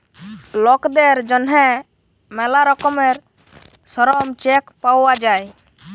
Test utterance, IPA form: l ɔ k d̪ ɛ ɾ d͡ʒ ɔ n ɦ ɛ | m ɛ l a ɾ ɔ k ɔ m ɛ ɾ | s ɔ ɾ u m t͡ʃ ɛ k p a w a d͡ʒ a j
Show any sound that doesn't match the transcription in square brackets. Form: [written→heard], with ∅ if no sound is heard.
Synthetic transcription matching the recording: l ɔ k d̪ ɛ ɾ d͡ʒ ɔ n ɦ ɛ | m ɛ l a ɾ ɔ k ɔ m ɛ ɾ | s ɔ ɾ [u→ɔ] m t͡ʃ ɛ k p a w a d͡ʒ a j